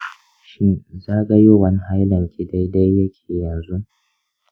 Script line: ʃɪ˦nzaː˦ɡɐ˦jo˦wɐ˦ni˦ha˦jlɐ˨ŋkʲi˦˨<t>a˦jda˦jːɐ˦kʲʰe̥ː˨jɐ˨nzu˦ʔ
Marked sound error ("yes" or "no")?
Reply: yes